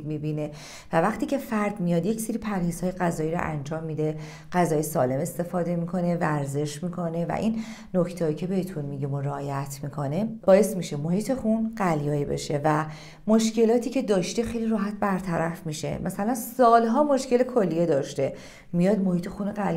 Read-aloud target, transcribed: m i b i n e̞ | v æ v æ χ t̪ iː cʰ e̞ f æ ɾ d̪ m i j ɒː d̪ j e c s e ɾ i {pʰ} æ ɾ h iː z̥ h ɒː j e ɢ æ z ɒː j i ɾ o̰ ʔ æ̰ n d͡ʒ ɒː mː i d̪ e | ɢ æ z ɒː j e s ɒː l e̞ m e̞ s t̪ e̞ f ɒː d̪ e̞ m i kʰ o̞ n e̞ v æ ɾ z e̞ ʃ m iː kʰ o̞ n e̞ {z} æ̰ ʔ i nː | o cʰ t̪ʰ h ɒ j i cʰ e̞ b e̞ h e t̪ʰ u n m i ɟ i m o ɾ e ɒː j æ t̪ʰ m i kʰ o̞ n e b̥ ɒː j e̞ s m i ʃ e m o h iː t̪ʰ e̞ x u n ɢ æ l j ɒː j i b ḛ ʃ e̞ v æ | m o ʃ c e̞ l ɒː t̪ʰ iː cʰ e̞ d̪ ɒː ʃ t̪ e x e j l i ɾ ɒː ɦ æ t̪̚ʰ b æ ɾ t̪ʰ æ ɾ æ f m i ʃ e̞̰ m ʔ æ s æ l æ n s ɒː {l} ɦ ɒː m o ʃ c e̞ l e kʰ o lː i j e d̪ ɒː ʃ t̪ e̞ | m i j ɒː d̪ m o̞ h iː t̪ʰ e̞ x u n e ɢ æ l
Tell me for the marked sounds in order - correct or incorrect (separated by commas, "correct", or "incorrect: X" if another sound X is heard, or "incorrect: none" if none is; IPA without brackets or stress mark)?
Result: correct, incorrect: v, correct